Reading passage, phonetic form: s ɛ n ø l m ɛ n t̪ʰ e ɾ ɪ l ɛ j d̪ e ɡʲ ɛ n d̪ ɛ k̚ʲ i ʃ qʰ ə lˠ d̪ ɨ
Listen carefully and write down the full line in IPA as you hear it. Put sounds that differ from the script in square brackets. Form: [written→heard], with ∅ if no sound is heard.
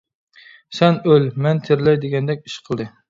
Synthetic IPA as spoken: s ɛ n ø l m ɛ n t̪ʰ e ɾ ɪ l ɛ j d̪ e ɡʲ ɛ n d̪ ɛ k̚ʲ i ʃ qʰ ə lˠ d̪ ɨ

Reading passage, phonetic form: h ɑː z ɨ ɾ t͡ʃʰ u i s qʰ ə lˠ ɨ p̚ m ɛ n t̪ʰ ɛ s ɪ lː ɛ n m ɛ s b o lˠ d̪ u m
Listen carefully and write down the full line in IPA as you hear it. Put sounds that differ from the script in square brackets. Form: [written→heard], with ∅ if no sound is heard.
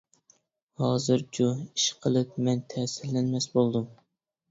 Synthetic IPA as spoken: h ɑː z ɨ ɾ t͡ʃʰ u i [s→ʃ] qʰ ə lˠ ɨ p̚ m ɛ n t̪ʰ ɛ s ɪ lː ɛ n m ɛ s b o lˠ d̪ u m

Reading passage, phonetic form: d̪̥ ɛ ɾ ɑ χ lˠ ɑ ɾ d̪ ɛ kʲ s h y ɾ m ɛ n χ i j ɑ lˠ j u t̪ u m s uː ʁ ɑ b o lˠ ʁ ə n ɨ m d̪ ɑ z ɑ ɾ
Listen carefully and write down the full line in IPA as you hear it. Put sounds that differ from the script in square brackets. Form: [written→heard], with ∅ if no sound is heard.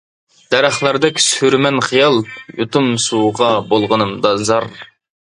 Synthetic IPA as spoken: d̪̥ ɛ ɾ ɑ χ lˠ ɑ ɾ d̪ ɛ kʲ s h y ɾ m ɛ n χ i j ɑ lˠ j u t̪ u m s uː ʁ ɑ b o lˠ ʁ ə n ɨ m d̪ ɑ z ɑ ɾ

